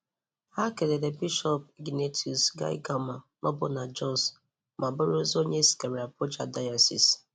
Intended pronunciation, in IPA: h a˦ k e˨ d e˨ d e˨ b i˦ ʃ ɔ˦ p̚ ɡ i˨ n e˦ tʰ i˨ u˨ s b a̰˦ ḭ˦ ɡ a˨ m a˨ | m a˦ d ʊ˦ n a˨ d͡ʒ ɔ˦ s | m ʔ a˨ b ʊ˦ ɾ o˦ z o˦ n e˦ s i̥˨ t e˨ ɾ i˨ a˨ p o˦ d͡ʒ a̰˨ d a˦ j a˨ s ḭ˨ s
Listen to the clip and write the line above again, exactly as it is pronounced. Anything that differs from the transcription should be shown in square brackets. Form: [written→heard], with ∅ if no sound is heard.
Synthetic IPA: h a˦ k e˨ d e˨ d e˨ b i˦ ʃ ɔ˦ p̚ ɡ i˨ n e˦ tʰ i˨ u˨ s [b→ɡ] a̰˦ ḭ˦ ɡ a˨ m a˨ | m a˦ [d→b] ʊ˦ n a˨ d͡ʒ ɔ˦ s | m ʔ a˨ b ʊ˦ ɾ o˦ z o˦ [n→ɲ] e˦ s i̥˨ [t→k] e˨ ɾ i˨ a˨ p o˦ d͡ʒ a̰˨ d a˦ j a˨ s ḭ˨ s